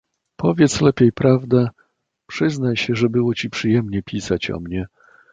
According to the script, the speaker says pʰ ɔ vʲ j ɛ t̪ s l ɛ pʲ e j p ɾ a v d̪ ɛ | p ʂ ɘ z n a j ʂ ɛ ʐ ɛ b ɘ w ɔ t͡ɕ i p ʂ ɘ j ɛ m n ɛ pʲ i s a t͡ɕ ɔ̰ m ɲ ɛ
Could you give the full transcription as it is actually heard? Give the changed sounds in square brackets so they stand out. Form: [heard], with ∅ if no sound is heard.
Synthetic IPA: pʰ ɔ vʲ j ɛ t̪ s l ɛ pʲ e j p ɾ a v d̪ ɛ | p ʂ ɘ z n a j [ɕ] ɛ ʐ ɛ b ɘ w ɔ t͡ɕ i p ʂ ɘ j ɛ m [ɲ] ɛ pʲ i s a t͡ɕ ɔ̰ m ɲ ɛ